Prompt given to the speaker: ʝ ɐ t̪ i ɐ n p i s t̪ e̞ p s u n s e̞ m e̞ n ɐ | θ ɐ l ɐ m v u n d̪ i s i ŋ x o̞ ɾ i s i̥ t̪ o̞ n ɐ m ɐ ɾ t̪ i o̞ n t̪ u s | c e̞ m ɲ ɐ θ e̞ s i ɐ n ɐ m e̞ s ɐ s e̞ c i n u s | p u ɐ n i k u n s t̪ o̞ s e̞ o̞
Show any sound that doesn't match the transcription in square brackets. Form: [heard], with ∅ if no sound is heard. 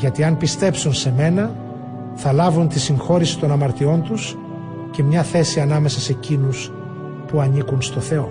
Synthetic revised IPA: ʝ ɐ t̪ i ɐ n p i s t̪ e̞ p s u n s e̞ m e̞ n ɐ | θ ɐ l ɐ [∅] v u n [t̪] i s i ŋ x o̞ ɾ i s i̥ t̪ o̞ n ɐ m ɐ ɾ t̪ i o̞ n t̪ u s | c e̞ m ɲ ɐ θ e̞ s i ɐ n ɐ m e̞ s ɐ s e̞ c i n u s | p u ɐ n i k u n s t̪ o̞ [θ] e̞ o̞